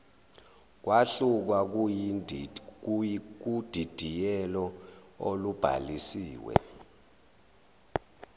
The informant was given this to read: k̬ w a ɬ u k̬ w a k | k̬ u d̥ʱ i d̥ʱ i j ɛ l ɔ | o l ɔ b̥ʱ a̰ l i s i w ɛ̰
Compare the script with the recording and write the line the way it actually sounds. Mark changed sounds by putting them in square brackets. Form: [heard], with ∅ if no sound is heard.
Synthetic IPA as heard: k̬ w a ɬ u k̬ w a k | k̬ u d̥ʱ i d̥ʱ i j ɛ l ɔ | o l [u] b̥ʱ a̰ l i s [iː] w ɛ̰